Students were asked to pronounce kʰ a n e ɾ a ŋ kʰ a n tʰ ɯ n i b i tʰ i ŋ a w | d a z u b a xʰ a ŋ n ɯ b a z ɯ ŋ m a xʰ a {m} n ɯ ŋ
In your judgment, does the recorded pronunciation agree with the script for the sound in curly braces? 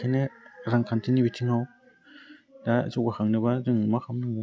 yes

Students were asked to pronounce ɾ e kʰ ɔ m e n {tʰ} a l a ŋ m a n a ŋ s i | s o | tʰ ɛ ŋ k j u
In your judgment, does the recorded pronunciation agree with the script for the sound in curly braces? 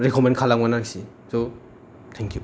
no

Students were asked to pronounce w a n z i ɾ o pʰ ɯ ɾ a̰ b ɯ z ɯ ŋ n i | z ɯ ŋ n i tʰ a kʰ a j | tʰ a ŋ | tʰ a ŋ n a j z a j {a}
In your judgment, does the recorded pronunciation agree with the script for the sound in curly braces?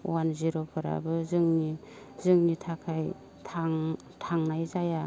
yes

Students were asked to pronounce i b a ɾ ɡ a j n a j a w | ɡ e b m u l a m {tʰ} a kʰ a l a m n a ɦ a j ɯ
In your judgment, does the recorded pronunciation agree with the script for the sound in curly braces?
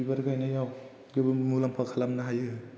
no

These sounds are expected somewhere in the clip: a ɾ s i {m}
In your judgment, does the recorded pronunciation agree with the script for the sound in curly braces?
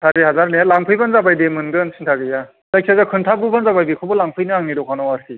no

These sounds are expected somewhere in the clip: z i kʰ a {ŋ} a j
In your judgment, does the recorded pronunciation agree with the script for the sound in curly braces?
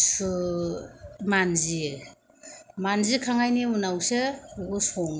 yes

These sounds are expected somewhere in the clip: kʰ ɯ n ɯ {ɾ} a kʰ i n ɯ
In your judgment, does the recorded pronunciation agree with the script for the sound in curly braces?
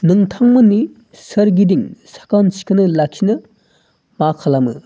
no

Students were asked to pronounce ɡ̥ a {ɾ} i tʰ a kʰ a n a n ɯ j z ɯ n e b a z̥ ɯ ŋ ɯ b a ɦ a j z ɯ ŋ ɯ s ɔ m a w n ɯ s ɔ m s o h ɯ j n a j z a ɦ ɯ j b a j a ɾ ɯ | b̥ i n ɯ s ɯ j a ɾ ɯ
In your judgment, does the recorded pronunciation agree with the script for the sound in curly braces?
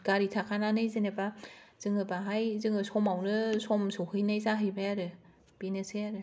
yes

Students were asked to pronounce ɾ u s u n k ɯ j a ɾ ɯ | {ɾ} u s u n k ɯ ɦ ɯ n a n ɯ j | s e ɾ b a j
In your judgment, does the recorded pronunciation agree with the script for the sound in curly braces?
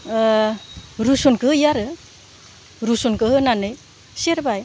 yes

